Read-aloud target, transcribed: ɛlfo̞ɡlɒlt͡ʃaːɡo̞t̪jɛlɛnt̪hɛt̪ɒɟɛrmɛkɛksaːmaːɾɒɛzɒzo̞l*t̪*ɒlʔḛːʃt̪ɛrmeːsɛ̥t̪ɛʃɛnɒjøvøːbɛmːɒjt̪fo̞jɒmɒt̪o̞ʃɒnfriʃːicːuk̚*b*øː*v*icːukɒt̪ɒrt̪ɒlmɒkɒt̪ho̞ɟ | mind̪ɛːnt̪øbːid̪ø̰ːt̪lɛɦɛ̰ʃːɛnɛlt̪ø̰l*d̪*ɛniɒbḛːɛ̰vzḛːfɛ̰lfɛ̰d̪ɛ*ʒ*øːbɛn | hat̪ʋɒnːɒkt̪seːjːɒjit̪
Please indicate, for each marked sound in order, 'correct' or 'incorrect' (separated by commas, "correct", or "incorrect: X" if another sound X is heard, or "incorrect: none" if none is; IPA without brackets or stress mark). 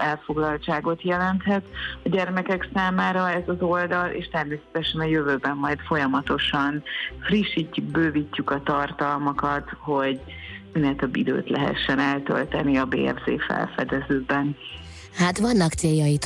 incorrect: d̪, correct, correct, incorrect: t̪, incorrect: z